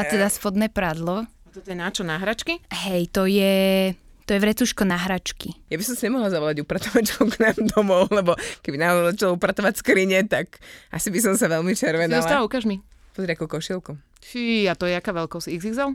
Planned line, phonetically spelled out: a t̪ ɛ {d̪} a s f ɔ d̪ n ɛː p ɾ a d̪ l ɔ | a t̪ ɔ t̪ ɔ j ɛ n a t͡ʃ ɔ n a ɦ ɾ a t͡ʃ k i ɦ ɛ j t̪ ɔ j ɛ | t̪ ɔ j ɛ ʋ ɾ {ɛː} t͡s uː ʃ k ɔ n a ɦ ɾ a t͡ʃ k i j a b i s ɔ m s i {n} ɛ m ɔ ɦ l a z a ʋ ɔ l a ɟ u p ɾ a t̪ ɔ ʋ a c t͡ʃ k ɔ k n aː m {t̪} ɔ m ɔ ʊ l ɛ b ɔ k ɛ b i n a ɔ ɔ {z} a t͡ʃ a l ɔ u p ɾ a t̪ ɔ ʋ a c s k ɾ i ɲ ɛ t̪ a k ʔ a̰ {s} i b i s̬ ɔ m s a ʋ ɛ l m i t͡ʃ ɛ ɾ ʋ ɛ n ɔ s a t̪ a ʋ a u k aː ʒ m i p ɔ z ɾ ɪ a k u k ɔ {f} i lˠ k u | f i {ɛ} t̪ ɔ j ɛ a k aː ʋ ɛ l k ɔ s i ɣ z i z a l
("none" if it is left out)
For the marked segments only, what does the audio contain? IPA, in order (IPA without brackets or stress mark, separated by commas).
d̪, ɛ, ɲ, d̪, z, s, ʃ, a